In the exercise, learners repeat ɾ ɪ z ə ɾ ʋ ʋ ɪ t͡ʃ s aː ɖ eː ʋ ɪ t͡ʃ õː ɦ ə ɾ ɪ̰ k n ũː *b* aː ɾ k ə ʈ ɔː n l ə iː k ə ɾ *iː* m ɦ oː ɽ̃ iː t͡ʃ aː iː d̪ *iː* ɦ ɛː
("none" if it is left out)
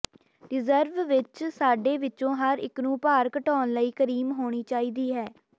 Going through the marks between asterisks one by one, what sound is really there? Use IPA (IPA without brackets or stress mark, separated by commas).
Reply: p, iː, iː